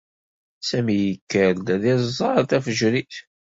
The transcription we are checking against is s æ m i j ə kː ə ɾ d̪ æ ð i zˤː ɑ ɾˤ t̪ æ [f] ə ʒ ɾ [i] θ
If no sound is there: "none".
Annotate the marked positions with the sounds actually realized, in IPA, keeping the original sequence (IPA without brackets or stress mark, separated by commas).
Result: f, i